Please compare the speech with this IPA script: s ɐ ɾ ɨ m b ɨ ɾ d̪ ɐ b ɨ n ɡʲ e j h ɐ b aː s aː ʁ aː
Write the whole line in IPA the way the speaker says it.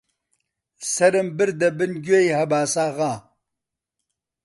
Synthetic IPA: s ɐ ɾ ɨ m b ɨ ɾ d̪ ɐ b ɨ n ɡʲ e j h ɐ b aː s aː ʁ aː

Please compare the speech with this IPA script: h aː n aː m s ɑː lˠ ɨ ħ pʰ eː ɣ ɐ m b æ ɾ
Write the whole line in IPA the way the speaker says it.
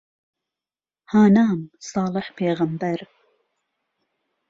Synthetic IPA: h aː n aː m s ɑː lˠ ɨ ħ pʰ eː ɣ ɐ m b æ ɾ

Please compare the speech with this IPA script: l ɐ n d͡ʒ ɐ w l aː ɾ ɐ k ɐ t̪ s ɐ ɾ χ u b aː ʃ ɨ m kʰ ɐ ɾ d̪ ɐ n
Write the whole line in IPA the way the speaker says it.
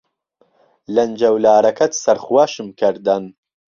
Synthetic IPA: l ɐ n d͡ʒ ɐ w l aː ɾ ɐ k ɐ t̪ s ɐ ɾ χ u w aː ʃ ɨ m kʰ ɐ ɾ d̪ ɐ n

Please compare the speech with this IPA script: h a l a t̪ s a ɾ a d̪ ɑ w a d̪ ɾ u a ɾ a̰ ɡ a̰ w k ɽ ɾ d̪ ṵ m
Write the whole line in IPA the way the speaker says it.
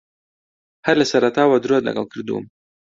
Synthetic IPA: h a l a s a ɾ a t̪ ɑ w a d̪ ɾ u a l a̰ ɡ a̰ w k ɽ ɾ d̪ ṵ m

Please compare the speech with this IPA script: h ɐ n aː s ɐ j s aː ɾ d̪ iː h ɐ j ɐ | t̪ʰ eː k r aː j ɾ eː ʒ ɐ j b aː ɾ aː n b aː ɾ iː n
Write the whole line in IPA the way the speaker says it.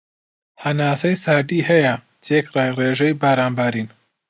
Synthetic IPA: h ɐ n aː s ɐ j s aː ɾ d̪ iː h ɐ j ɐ | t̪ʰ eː k r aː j r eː ʒ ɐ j b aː ɾ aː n b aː ɾ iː n

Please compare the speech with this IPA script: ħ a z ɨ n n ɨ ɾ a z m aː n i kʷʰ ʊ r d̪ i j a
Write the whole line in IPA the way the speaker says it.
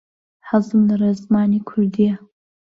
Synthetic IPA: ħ a z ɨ m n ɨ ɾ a z m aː n i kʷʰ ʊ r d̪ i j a

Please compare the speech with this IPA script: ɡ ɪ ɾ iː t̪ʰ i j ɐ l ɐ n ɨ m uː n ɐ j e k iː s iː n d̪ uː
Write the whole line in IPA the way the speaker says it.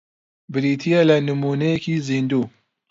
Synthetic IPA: b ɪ ɾ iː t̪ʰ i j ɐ l ɐ n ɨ m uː n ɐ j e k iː z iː n d̪ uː

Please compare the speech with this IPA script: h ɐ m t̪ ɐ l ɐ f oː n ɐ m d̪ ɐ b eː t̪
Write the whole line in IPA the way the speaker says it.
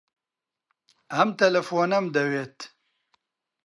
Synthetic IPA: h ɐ m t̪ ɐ l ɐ f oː n ɐ m d̪ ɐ w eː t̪

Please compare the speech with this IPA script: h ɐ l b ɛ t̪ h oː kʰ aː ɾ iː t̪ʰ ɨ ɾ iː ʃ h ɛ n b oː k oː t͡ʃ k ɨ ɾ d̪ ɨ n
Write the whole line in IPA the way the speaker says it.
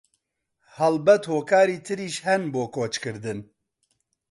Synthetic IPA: h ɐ l b ɛ t̪ h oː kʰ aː ɾ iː t̪ʰ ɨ ɾ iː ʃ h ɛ n b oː k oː t͡ʃ k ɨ ɾ d̪ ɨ n

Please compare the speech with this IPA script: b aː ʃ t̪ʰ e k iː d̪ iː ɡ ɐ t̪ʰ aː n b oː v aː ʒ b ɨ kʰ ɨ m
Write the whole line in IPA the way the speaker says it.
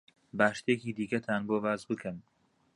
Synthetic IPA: b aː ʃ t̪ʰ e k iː d̪ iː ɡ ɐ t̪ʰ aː n b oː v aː z b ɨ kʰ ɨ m

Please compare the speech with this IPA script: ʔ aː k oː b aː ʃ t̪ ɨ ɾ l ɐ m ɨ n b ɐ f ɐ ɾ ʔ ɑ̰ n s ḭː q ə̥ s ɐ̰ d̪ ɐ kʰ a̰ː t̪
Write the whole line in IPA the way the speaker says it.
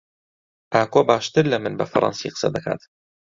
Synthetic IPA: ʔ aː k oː b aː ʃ t̪ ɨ ɾ l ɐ m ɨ n b ɐ f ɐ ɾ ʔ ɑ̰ n s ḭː q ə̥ s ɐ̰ d̪ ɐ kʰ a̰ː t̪

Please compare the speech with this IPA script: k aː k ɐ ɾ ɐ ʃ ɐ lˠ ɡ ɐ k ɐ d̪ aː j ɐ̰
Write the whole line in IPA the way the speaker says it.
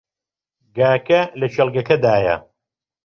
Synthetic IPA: ɡ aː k ɐ l ɐ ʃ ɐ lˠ ɡ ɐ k ɐ d̪ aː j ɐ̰

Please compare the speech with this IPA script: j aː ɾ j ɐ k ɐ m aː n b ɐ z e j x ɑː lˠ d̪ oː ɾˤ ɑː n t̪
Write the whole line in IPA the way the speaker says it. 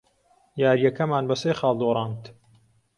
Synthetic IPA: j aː ɾ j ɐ k ɐ m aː n b ɐ s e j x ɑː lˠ d̪ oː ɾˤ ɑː n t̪

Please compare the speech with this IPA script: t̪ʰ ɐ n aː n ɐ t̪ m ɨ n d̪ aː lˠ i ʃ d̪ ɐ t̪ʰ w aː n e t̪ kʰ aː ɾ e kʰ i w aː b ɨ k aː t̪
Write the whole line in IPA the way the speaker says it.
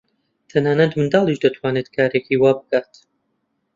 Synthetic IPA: t̪ʰ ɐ n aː n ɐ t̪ m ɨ n d̪ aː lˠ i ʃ d̪ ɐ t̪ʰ w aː n e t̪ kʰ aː ɾ e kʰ i w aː b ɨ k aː t̪

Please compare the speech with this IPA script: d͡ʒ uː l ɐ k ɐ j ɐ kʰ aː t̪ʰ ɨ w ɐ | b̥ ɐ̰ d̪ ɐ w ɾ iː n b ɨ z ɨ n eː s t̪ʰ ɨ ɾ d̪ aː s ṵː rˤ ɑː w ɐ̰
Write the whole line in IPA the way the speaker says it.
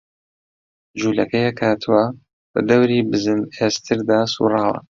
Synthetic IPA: d͡ʒ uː l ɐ k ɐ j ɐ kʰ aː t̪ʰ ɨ w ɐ | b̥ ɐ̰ d̪ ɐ w ɾ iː b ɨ z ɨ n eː s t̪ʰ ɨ ɾ d̪ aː s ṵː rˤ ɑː w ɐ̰

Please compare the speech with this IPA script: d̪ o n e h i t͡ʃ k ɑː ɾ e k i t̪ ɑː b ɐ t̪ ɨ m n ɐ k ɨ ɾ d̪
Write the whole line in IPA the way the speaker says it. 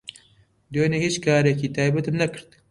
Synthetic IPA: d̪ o n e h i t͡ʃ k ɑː ɾ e k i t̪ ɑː b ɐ t̪ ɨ m n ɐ k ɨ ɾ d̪

